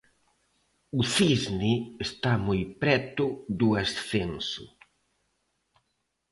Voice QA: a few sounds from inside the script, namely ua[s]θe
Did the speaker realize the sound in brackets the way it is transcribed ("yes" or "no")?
yes